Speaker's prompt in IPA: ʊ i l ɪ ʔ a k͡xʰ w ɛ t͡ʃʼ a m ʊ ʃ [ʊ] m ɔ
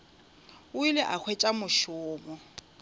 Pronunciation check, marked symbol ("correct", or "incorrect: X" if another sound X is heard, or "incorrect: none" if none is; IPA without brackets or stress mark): incorrect: ʊː